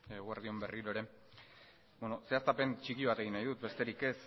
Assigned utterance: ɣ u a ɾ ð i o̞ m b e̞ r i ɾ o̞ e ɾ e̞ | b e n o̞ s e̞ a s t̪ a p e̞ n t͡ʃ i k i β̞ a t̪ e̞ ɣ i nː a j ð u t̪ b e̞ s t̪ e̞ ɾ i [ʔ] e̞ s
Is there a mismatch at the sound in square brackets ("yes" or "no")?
yes